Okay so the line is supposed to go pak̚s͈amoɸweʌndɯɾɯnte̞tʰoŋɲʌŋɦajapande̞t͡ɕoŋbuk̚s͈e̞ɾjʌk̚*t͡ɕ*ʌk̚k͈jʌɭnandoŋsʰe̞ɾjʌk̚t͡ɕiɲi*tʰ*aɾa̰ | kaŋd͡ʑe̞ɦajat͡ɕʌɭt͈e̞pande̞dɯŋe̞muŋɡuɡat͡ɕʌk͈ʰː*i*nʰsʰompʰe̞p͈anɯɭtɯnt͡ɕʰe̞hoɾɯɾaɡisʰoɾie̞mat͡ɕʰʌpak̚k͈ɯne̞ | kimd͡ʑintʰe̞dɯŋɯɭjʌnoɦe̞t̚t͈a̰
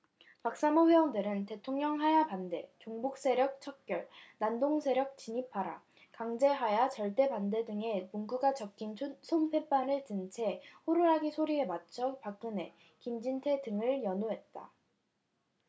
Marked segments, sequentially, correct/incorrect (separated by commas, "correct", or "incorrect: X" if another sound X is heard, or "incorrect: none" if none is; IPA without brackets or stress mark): incorrect: t͡ɕʰ, incorrect: pʰ, correct